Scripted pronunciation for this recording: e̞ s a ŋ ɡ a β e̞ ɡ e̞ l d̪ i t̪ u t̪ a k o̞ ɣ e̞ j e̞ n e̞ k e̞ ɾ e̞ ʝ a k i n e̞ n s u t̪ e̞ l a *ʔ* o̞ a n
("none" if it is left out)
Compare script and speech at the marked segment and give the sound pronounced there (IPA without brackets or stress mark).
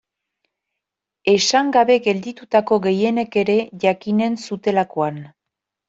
k